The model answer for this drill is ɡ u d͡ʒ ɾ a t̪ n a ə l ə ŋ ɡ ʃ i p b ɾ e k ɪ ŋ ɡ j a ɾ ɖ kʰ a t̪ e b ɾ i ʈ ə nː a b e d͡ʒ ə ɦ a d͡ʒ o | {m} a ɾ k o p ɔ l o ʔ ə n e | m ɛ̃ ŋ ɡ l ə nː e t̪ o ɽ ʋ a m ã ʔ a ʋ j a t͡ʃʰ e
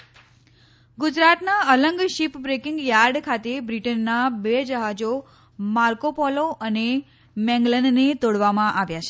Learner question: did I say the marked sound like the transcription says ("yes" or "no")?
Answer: yes